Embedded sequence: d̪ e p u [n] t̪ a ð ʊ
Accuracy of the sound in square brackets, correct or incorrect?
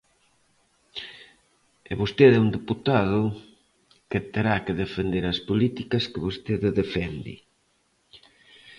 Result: incorrect